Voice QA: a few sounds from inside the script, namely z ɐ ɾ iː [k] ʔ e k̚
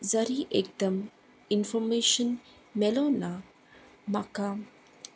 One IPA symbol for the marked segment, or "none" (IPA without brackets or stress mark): none